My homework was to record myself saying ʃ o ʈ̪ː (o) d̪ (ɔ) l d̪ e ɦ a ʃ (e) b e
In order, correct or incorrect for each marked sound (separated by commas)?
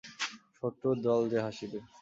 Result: correct, correct, incorrect